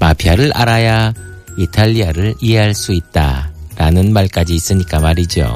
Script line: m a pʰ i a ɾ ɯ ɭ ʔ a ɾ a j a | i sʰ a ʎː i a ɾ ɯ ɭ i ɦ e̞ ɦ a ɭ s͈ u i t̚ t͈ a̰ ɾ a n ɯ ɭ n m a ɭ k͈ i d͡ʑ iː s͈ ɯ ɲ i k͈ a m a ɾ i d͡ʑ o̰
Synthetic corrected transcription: m a pʰ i a ɾ ɯ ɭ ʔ a ɾ a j a | i tʰ a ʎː i a ɾ ɯ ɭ i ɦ e̞ ɦ a ɭ s͈ u i t̚ t͈ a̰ ɾ a n ɯ n m a ɭ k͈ a d͡ʑ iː s͈ ɯ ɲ i k͈ a m a ɾ i d͡ʑ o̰